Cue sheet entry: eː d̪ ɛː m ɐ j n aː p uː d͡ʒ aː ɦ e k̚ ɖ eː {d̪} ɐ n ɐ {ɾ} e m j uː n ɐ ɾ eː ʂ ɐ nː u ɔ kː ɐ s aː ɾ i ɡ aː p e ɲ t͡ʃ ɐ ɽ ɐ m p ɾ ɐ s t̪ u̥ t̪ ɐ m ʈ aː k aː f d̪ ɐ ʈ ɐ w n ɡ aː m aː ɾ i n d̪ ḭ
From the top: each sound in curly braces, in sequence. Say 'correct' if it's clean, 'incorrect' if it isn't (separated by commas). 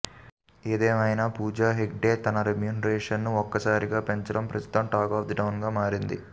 incorrect, correct